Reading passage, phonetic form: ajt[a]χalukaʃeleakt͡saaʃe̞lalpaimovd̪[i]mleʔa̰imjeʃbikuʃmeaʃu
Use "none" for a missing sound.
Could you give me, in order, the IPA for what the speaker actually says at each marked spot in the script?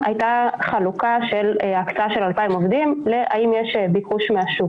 a, i

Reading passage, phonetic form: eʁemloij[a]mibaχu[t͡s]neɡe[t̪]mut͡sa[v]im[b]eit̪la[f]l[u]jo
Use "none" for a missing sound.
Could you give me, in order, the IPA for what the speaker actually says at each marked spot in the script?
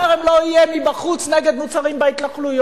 e, t͡s, d̪, ʁ, b, χ, u

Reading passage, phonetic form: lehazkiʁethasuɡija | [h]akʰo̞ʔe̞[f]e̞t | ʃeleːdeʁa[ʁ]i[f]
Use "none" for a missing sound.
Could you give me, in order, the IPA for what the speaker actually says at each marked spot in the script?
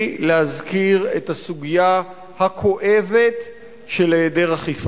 h, v, χ, f

